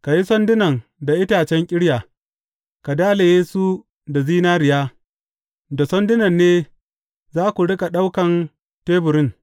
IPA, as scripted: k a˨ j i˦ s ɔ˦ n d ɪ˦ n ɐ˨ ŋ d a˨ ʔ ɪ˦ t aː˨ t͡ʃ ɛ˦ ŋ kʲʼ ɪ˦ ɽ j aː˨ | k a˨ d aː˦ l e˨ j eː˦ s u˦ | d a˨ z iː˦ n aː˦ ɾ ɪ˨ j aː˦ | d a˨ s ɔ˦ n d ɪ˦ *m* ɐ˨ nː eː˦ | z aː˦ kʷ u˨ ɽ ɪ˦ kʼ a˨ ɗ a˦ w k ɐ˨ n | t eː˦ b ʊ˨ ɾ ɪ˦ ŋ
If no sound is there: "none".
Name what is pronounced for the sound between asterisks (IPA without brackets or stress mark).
n